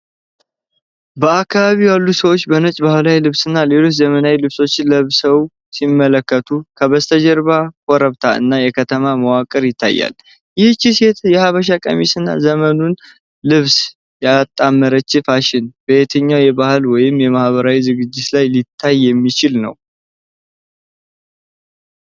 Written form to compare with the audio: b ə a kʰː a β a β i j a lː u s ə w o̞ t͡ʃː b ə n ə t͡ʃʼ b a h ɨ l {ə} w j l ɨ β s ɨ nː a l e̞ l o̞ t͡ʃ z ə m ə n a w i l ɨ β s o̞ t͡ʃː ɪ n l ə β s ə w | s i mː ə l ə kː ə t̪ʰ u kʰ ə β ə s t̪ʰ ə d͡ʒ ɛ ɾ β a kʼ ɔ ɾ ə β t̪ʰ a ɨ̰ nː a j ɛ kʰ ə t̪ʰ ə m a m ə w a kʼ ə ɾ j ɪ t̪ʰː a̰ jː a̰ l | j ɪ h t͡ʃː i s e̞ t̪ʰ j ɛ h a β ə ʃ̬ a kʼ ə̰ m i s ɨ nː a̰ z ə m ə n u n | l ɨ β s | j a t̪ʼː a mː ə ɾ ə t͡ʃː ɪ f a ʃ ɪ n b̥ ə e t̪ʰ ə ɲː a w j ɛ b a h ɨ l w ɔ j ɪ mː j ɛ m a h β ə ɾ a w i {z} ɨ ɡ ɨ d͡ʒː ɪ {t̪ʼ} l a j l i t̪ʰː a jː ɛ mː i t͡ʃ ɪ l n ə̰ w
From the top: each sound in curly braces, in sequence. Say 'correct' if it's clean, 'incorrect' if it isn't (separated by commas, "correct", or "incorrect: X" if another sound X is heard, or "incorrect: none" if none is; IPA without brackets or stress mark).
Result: incorrect: a, correct, incorrect: t̪